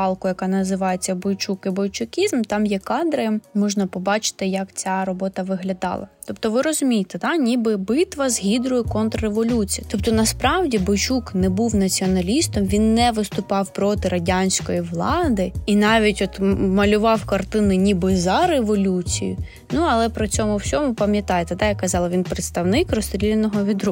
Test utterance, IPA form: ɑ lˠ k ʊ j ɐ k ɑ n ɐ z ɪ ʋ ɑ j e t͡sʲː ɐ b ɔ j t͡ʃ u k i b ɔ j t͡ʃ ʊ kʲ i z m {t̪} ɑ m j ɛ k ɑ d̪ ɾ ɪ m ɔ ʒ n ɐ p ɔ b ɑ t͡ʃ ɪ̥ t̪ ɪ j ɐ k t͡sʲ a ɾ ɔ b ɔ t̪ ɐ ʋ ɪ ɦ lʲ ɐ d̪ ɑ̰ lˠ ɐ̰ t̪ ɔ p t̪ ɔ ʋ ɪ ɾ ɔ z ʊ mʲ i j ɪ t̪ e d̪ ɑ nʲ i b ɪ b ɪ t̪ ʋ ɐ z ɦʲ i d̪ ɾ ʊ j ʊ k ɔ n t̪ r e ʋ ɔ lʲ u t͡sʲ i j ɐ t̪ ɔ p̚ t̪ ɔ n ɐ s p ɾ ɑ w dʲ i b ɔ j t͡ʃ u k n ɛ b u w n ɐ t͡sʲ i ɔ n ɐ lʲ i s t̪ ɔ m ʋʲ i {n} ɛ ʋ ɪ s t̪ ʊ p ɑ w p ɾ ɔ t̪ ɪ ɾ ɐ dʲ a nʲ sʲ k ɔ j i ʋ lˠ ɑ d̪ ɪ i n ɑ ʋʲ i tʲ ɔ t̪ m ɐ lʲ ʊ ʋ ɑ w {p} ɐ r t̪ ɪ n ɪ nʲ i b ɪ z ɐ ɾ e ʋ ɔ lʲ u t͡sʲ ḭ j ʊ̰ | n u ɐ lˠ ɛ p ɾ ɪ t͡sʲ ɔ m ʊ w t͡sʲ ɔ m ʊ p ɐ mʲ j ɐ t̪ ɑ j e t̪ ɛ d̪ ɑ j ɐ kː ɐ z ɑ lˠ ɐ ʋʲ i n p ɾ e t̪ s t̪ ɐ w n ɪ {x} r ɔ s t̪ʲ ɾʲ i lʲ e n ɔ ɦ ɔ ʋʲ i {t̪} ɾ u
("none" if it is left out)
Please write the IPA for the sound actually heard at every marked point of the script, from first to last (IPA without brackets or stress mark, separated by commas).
t̪, nː, k, k, d̪